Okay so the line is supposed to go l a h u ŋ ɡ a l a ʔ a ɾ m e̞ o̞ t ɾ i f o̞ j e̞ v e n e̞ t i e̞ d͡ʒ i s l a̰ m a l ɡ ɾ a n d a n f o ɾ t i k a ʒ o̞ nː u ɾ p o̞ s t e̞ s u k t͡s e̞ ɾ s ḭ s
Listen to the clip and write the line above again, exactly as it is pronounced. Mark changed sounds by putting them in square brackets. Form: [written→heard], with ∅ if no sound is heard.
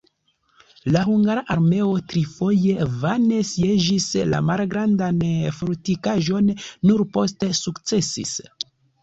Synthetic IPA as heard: l a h u ŋ ɡ a [l→ɾ] a ʔ a ɾ m e̞ o̞ t ɾ i f o̞ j e̞ v [e→a] n e̞ [t→s] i e̞ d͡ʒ i s l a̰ m a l ɡ ɾ a n d a n f o ɾ t i k a ʒ o̞ nː u ɾ p o̞ s t e̞ s u k t͡s e̞ [ɾ→∅] s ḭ s